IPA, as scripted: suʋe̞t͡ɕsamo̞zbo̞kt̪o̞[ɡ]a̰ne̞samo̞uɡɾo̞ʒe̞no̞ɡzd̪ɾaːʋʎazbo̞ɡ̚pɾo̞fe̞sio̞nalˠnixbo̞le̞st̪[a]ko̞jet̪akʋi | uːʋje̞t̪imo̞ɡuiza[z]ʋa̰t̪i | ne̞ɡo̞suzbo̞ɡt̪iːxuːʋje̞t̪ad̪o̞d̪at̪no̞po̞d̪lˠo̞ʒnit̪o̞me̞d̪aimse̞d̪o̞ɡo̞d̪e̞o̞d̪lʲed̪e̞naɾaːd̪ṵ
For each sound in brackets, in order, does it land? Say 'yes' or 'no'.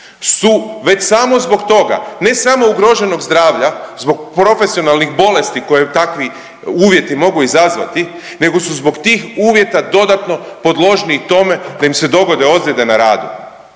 yes, no, yes

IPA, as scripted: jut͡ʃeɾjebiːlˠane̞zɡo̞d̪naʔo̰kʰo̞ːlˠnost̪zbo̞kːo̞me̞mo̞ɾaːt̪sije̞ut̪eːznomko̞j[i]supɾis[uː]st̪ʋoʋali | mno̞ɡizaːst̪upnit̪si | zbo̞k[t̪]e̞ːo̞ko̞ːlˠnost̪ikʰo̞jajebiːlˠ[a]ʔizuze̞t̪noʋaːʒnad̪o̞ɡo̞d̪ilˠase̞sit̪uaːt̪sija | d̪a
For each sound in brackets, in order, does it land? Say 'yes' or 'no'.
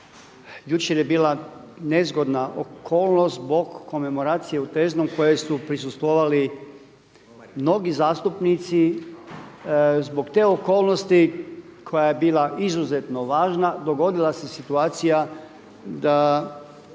no, no, yes, yes

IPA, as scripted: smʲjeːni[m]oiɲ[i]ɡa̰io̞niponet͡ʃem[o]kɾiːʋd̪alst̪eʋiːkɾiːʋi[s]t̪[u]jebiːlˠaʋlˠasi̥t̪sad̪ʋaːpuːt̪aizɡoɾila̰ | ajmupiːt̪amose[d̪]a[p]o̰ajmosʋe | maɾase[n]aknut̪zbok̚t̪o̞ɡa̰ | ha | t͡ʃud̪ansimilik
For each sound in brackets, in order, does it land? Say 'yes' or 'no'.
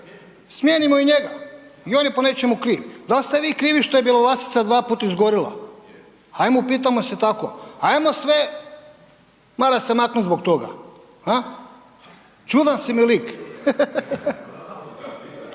yes, no, no, no, no, no, no, no

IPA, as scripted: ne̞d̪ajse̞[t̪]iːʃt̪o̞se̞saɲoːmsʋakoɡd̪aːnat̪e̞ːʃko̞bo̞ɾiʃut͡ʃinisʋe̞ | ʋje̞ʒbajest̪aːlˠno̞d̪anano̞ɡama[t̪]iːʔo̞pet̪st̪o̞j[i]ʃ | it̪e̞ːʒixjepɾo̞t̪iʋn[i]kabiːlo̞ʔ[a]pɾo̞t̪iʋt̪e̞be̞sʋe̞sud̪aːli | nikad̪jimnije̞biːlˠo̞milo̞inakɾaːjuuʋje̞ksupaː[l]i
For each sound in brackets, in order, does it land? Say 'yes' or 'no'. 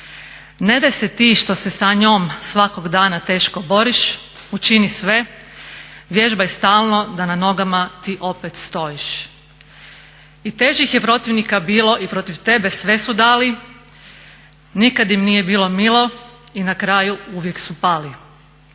yes, yes, yes, yes, no, yes

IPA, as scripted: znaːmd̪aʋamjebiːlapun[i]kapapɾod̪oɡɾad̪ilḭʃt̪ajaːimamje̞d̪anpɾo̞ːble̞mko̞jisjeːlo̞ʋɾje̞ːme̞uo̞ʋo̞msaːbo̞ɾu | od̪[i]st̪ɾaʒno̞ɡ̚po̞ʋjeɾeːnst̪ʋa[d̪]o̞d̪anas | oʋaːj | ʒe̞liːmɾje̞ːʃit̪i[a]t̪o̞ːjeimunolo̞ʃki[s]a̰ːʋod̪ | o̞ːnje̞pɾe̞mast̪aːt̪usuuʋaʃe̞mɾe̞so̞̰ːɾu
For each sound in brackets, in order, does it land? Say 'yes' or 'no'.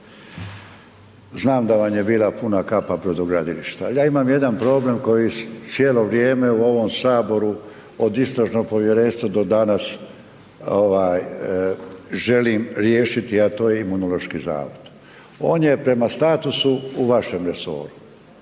no, yes, yes, yes, no

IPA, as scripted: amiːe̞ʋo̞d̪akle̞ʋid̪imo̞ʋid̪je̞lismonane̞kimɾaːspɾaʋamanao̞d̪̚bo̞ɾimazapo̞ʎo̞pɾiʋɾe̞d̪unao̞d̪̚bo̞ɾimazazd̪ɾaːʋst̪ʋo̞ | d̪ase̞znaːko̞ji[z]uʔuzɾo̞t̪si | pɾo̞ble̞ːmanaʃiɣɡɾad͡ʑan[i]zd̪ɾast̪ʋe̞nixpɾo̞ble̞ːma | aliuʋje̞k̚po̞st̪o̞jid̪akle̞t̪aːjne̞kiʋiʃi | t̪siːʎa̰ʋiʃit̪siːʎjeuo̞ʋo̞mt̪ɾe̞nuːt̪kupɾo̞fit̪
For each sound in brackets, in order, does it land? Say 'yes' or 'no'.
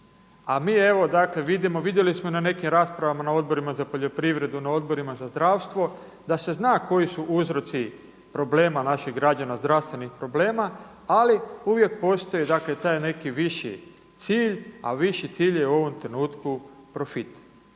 no, no

